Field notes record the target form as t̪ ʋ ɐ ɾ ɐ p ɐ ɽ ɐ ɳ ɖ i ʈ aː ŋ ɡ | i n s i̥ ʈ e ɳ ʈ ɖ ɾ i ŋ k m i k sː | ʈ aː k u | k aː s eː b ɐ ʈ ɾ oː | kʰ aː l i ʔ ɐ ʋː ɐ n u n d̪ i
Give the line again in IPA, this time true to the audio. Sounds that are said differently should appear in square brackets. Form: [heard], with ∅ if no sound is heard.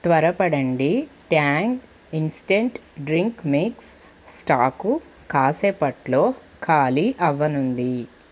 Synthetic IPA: t̪ ʋ ɐ ɾ ɐ p ɐ ɽ ɐ ɳ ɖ i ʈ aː ŋ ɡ | i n s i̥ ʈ e ɳ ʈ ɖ ɾ i ŋ k m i k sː | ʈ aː k u | k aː s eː [p] ɐ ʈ [l] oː | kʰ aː l i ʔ ɐ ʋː ɐ n u n d̪ i